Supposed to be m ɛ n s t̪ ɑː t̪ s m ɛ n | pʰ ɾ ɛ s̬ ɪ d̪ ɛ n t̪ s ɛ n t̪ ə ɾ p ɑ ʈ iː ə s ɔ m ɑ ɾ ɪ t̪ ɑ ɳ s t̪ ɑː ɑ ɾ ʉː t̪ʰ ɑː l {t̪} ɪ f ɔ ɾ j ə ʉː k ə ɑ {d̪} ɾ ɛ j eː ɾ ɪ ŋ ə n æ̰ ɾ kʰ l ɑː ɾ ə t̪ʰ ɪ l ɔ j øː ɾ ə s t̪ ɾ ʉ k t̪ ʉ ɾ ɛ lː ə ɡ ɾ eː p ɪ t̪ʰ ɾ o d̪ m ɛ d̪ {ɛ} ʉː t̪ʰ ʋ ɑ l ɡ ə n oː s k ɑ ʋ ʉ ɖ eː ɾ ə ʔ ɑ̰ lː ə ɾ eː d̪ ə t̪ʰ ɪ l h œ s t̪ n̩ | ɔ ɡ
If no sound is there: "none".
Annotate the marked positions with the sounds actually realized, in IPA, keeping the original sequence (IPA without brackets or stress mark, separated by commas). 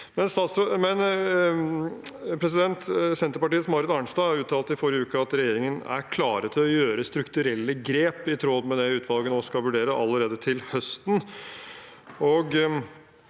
t̪, t̪, ɛ